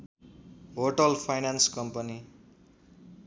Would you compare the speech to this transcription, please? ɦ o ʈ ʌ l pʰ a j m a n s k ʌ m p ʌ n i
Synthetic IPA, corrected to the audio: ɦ o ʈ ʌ l pʰ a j n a n s k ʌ m p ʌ n i